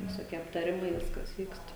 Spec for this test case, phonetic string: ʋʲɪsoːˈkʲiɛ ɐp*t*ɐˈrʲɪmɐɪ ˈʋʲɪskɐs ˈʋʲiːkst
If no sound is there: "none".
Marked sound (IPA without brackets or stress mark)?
t